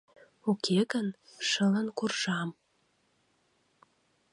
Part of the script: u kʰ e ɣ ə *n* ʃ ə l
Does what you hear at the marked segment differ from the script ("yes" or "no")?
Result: no